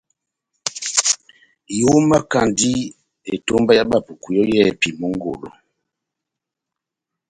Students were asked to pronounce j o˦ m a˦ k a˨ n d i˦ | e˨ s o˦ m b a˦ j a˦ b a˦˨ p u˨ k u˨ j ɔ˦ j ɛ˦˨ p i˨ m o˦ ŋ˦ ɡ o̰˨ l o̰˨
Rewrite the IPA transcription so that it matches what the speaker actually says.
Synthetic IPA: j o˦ m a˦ k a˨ n d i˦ | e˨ t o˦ m b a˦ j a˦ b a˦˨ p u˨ k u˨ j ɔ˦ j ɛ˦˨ p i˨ m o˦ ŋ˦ ɡ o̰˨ l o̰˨